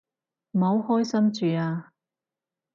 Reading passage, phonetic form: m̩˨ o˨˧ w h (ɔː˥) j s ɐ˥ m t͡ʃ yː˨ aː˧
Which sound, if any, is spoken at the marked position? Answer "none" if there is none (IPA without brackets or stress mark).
ɔː˥